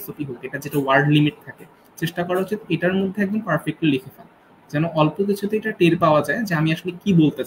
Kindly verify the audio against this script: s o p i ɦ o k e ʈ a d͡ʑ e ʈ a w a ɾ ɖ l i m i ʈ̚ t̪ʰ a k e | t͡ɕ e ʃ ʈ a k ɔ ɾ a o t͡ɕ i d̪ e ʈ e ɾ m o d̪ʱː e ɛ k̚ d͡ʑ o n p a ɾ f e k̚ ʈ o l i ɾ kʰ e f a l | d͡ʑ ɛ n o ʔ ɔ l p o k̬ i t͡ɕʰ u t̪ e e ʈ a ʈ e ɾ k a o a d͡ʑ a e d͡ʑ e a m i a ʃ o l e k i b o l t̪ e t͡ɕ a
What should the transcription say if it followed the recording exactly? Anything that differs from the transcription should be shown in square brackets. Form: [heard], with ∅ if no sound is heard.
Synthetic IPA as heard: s o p i ɦ o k e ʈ a d͡ʑ e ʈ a w a ɾ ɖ l i m i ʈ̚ t̪ʰ a k e | t͡ɕ e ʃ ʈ a k ɔ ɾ a o t͡ɕ i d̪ e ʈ [a] ɾ m o d̪ʱː e ɛ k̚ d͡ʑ o n p a ɾ f e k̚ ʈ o l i [∅] kʰ e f a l | d͡ʑ ɛ n o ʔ ɔ l p o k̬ i t͡ɕʰ u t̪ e e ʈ a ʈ e ɾ [p] a o a d͡ʑ a e d͡ʑ e a m i a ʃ o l e k i b o l t̪ e t͡ɕ a

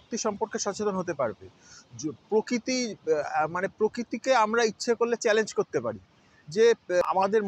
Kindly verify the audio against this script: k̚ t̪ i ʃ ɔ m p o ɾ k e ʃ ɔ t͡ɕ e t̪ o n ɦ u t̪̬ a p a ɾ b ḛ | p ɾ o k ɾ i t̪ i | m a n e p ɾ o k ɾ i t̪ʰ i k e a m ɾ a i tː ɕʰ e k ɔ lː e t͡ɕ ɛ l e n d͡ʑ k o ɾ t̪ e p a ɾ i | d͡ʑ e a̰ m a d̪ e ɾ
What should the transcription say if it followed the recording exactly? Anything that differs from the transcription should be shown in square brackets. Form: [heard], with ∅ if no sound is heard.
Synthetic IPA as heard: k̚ t̪ i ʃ ɔ m p o ɾ k e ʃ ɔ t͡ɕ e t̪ o n ɦ [o] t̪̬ [e] p a ɾ b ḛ | p ɾ o k ɾ i t̪ i | m a n e p ɾ o k ɾ i [t̪] i k e a m ɾ a i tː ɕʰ e k [o] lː e t͡ɕ ɛ l e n d͡ʑ k o ɾ t̪ e p a ɾ i | d͡ʑ e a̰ m a d̪ e ɾ

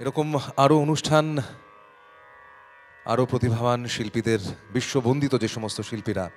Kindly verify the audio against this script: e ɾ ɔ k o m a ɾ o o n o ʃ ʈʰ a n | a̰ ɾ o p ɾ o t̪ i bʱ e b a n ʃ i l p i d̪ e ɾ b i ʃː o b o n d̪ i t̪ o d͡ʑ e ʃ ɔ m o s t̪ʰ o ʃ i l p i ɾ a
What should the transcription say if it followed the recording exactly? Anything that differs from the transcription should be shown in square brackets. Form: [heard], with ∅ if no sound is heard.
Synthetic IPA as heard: e ɾ ɔ k o m a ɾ o o n [u] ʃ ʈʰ a n | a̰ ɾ o p ɾ o t̪ i bʱ [a] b a n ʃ i l p i d̪ e ɾ b i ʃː o b o n d̪ i t̪ o d͡ʑ e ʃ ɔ m o s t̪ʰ o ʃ i l p i ɾ a

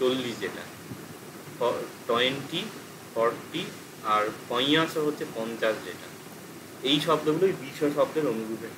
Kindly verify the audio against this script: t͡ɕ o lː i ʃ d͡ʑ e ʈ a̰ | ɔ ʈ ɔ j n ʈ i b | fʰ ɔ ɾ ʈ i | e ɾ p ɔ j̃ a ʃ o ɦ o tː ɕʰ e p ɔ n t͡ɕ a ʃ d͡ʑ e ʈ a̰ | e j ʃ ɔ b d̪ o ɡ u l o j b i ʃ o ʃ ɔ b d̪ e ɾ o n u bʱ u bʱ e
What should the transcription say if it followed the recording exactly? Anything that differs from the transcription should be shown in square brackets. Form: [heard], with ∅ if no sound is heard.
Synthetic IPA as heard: t͡ɕ o lː i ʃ d͡ʑ e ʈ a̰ | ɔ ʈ ɔ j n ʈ i [∅] | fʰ ɔ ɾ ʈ i | [a] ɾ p ɔ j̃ a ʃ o ɦ o tː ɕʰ e p ɔ n t͡ɕ a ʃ d͡ʑ e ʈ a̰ | e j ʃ ɔ b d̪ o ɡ u l o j b i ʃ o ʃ ɔ b d̪ e ɾ o n u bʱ u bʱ e

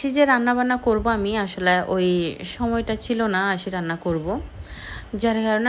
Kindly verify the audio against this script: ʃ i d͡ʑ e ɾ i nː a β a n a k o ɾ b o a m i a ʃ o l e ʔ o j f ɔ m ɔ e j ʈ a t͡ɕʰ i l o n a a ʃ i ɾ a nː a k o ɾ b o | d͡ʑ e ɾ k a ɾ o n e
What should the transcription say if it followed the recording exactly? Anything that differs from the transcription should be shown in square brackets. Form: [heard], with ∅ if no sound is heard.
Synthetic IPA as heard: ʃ i d͡ʑ e ɾ [a] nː a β a n a k o ɾ b o a m i a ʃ o l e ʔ o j [ʃ] ɔ m ɔ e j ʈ a t͡ɕʰ i l o n a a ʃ i ɾ a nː a k o ɾ b o | d͡ʑ [a] ɾ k a ɾ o n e

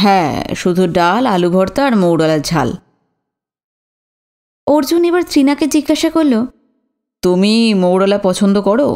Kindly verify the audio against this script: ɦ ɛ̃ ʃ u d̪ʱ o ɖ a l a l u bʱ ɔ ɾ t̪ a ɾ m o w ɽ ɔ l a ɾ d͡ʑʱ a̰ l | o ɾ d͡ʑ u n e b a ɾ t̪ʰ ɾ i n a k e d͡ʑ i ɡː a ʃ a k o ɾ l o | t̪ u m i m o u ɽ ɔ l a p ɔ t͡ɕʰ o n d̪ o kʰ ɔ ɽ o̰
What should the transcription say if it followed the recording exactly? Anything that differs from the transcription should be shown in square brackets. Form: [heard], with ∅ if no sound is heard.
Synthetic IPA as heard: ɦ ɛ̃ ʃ u d̪ʱ [u] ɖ a l a l u bʱ ɔ ɾ t̪ a ɾ m o w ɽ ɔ l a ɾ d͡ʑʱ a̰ l | o ɾ d͡ʑ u n e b a ɾ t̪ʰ ɾ i n a k e d͡ʑ i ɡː a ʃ a k o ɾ l o | t̪ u m i m o [w] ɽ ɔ l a p ɔ t͡ɕʰ o n d̪ o [k] ɔ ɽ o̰

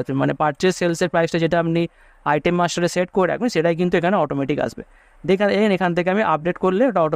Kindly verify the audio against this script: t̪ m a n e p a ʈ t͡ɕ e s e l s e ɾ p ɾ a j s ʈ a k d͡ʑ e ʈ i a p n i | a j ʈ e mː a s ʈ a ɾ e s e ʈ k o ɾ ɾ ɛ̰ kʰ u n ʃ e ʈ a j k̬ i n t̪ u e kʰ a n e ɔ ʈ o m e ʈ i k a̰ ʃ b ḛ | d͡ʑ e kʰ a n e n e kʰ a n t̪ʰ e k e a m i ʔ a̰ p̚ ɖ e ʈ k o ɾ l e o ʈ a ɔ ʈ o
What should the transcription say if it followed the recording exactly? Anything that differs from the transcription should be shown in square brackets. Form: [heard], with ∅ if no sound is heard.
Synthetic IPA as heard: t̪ m a n e p a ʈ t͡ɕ e s e l s e ɾ p ɾ a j s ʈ a [∅] d͡ʑ e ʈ [a] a p n i | a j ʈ e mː a s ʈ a ɾ e s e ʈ k o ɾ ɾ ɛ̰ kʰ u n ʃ e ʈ a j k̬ i n t̪ u e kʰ a n e ɔ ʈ o m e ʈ i k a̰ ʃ b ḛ | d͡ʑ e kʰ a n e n e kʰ a n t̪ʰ e k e a m i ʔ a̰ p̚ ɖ e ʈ k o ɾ l e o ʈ a ɔ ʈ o

